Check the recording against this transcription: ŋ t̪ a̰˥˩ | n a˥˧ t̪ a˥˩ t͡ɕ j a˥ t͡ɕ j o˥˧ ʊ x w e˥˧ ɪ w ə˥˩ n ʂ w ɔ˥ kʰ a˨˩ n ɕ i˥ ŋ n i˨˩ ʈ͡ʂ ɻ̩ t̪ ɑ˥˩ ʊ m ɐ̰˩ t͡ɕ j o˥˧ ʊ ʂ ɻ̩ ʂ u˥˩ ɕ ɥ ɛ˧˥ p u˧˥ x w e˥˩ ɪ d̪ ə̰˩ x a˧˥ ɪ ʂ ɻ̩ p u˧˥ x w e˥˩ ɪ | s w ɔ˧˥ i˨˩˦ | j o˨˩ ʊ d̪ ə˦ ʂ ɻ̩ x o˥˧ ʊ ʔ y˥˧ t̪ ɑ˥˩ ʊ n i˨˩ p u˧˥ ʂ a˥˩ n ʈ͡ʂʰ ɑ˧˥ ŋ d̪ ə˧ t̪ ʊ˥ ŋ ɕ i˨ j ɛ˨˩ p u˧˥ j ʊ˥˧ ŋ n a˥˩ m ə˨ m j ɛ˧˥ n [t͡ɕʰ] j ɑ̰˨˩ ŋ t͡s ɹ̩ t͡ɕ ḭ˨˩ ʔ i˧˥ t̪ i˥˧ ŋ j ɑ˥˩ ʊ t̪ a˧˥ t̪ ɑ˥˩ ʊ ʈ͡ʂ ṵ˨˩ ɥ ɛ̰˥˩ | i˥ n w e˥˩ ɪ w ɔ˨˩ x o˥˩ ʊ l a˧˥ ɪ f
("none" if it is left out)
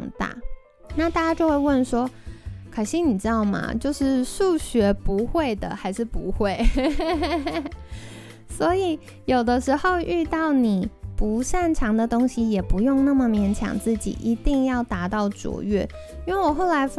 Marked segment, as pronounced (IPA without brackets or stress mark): t͡ɕʰ